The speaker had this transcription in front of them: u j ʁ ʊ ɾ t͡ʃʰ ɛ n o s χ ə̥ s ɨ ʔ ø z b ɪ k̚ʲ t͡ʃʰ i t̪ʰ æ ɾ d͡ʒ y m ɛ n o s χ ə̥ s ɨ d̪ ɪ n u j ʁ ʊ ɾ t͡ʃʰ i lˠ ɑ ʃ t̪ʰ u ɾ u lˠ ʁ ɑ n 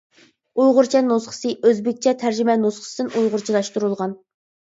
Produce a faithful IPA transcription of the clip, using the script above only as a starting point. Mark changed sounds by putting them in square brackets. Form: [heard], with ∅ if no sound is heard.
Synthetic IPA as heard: u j ʁ ʊ ɾ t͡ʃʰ ɛ n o s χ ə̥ s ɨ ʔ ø z b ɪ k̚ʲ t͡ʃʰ [ɛ] t̪ʰ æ ɾ d͡ʒ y m ɛ n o s χ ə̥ s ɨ d̪ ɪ n u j ʁ ʊ ɾ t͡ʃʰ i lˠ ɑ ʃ [t̪] u ɾ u lˠ ʁ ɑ n